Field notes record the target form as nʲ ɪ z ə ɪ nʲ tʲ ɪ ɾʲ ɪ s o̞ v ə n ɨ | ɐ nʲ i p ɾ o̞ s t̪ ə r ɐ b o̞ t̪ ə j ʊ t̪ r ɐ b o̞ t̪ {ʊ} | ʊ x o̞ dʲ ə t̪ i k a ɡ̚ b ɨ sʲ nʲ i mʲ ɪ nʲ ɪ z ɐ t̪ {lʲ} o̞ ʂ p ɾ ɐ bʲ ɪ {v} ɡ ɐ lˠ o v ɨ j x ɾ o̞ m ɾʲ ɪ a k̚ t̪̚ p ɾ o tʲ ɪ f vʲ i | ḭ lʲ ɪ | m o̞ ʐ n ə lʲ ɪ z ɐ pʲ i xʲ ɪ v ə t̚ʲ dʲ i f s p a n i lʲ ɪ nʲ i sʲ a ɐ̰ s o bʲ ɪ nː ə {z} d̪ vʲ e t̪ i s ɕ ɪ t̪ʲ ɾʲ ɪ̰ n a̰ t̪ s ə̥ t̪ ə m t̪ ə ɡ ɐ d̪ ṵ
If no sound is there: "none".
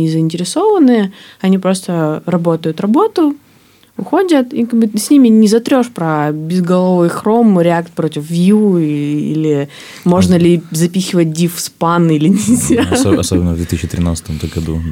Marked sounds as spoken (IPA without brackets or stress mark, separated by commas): ʊ, ɾʲ, z, v